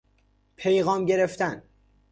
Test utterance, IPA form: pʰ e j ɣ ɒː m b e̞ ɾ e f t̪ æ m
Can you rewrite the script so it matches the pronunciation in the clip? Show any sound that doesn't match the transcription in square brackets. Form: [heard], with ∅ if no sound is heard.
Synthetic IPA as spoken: pʰ e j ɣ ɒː m [ɟ] e̞ ɾ e f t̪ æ [n]